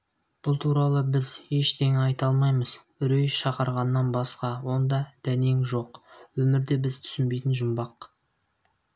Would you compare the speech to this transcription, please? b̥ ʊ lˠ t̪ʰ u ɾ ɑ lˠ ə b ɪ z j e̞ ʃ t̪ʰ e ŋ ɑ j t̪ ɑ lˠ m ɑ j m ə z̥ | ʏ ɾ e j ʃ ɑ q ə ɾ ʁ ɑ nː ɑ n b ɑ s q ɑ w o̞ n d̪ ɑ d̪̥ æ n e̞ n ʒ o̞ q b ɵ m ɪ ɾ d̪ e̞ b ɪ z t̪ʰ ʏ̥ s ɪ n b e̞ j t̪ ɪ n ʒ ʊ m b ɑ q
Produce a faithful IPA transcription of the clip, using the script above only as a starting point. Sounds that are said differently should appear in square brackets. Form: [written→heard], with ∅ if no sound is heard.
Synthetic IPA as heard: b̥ ʊ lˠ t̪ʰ u ɾ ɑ lˠ ə b ɪ z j e̞ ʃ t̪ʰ e ŋ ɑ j t̪ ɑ lˠ m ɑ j m ə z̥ | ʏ ɾ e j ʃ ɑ q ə ɾ ʁ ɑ nː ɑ n b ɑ s q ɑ w o̞ n d̪ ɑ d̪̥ æ n e̞ [n→ŋ] ʒ o̞ q [b→w] ɵ m ɪ ɾ d̪ e̞ b ɪ z t̪ʰ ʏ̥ s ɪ n b e̞ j t̪ ɪ n ʒ ʊ m b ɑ q

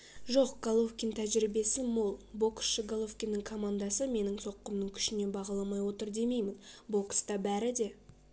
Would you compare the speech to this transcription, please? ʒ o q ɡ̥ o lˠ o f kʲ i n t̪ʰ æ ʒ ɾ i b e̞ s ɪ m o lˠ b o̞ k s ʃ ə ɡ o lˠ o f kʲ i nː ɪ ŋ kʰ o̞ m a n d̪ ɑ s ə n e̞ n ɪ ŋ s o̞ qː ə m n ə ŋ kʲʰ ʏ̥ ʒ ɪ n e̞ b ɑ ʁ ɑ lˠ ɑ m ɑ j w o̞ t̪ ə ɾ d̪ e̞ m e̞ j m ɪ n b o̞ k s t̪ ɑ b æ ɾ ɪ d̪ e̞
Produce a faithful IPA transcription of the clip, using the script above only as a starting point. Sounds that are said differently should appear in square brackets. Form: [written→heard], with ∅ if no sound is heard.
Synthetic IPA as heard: ʒ o q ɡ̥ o lˠ o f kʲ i n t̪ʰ æ ʒ ɾ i b e̞ s ɪ m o lˠ b o̞ k s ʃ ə ɡ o lˠ o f kʲ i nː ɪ ŋ kʰ o̞ m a n d̪ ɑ s ə [n→m] e̞ n ɪ ŋ s o̞ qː ə m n ə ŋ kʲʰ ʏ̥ [ʒ→ʃ] ɪ n e̞ b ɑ ʁ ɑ lˠ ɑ m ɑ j w o̞ t̪ ə ɾ d̪ e̞ m e̞ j m ɪ n b o̞ k s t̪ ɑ b æ ɾ ɪ d̪ e̞

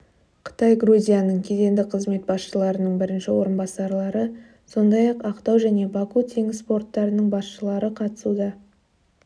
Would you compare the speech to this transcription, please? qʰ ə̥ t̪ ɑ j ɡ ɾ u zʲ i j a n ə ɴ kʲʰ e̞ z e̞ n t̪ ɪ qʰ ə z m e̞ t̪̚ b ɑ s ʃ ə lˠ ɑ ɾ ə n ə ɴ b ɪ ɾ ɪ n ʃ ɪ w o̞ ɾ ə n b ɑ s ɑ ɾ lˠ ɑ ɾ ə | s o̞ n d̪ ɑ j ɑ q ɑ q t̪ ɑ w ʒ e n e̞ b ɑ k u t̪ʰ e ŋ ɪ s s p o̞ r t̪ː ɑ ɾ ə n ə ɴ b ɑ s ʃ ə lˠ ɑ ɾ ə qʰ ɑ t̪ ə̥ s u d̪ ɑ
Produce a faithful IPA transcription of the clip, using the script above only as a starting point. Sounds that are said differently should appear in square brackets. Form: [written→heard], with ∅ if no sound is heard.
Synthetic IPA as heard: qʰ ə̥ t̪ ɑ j ɡ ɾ u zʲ i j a n ə ɴ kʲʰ e̞ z e̞ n [t̪→d̪] ɪ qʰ ə z m e̞ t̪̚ b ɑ s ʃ ə lˠ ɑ ɾ ə n ə ɴ b ɪ ɾ ɪ n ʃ ɪ w o̞ ɾ ə n b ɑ s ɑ ɾ lˠ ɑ ɾ ə | s o̞ n d̪ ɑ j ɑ q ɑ q t̪ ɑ w ʒ [e→æ] n e̞ b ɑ k u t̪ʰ e ŋ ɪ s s p o̞ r t̪ː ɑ ɾ ə n ə ɴ b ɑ s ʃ ə lˠ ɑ ɾ ə qʰ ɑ t̪ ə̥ s u d̪ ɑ

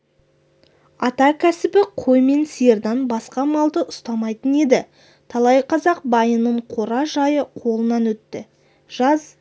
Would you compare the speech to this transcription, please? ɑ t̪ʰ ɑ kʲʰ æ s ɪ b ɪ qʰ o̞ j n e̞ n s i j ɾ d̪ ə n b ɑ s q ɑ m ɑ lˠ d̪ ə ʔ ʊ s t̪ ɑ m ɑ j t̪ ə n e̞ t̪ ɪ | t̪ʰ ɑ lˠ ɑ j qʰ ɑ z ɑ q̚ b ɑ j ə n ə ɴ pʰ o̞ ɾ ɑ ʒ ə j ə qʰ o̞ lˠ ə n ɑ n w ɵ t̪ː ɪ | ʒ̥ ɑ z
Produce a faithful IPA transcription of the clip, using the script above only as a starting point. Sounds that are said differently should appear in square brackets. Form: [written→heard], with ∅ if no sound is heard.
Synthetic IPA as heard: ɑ [t̪ʰ→t̪] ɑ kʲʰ æ s ɪ b ɪ qʰ o̞ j [n→m] e̞ n s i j ɾ d̪ [ə→ɑ] n b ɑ s q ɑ m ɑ lˠ d̪ ə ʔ ʊ s t̪ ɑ m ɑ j t̪ ə n e̞ [t̪→d̪] ɪ | t̪ʰ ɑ lˠ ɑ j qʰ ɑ z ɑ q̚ b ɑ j ə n ə ɴ [pʰ→qʰ] o̞ ɾ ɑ ʒ [ə→ɑ] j ə qʰ o̞ lˠ ə n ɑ n w ɵ t̪ː ɪ | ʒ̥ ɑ z

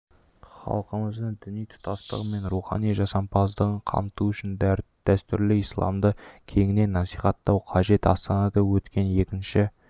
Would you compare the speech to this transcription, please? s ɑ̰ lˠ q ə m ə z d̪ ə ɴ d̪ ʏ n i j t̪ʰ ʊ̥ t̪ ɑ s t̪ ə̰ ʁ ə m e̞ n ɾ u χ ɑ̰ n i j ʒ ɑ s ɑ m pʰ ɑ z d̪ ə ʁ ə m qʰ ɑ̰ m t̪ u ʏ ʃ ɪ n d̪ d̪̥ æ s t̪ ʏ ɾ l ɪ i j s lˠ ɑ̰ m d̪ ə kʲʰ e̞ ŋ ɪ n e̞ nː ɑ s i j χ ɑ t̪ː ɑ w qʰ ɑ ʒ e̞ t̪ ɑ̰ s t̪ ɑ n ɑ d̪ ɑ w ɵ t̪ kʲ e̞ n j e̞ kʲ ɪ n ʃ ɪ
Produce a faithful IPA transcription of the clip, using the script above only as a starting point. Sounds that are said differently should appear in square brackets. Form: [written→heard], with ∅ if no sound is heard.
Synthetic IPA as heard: [s→χ] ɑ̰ lˠ q ə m ə z d̪ ə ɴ d̪ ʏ n i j t̪ʰ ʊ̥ t̪ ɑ s t̪ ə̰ ʁ ə m e̞ n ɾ u χ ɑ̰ n i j ʒ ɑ s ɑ m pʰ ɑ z d̪ ə ʁ ə [m→ɴ] qʰ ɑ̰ m t̪ u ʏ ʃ ɪ n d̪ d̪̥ æ s t̪ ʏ ɾ l ɪ i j s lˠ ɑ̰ m d̪ ə kʲʰ e̞ ŋ ɪ n e̞ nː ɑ s i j χ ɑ t̪ː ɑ w qʰ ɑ ʒ e̞ t̪ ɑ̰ s t̪ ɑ n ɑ d̪ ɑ w ɵ t̪ kʲ e̞ n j e̞ kʲ ɪ n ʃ ɪ

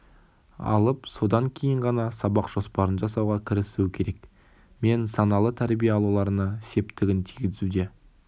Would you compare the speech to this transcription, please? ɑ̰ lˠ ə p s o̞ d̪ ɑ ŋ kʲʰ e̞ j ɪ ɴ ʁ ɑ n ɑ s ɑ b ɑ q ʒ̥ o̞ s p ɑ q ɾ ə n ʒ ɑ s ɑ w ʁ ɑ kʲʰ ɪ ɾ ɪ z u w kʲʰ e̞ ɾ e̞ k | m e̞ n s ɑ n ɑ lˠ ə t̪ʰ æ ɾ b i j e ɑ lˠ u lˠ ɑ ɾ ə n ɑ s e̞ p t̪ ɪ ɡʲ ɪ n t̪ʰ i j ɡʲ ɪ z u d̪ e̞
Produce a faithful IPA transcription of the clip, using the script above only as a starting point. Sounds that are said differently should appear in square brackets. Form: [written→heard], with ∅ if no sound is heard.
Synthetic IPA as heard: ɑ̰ lˠ ə p s o̞ d̪ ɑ ŋ kʲʰ e̞ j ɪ ɴ ʁ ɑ n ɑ s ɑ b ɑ q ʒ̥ o̞ s p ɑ [q→∅] ɾ ə n ʒ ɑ s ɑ w ʁ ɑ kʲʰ ɪ ɾ ɪ [z→s] u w kʲʰ e̞ ɾ e̞ k | m e̞ n s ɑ n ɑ lˠ ə t̪ʰ æ ɾ b i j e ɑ lˠ u lˠ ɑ ɾ ə n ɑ s e̞ p t̪ ɪ ɡʲ ɪ n t̪ʰ i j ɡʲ ɪ z u d̪ e̞

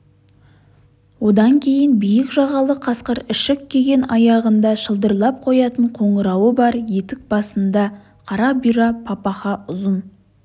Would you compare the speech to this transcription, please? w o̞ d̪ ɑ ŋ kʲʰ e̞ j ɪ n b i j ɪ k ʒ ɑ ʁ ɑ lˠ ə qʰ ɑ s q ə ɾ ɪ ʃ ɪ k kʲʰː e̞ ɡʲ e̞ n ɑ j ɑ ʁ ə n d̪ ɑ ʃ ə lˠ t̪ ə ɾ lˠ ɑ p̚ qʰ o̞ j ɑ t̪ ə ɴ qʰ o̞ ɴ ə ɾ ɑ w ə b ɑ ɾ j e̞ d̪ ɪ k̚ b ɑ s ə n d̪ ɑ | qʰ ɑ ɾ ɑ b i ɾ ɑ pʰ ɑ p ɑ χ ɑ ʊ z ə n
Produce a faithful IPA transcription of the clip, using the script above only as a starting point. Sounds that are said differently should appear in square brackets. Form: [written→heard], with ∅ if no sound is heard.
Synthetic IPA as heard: w o̞ d̪ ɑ ŋ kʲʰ e̞ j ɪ n b i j ɪ k ʒ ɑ ʁ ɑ lˠ ə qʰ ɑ s q ə ɾ ɪ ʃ ɪ k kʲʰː e̞ ɡʲ e̞ n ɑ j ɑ ʁ ə n d̪ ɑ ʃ ə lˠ [t̪→d̪] ə ɾ lˠ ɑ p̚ qʰ o̞ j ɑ t̪ ə ɴ qʰ o̞ ɴ ə ɾ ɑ w ə b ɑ ɾ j e̞ [d̪→t̪] ɪ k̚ b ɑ s ə n d̪ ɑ | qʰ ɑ ɾ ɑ b i ɾ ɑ pʰ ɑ p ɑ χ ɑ ʊ z ə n

